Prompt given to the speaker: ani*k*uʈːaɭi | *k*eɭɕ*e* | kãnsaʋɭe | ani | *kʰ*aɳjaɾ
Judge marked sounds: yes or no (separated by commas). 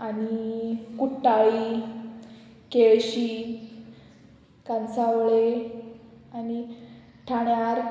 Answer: yes, yes, no, no